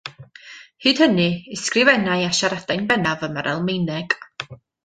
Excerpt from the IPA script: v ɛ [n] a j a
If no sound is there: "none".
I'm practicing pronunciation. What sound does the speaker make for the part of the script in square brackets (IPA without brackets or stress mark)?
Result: n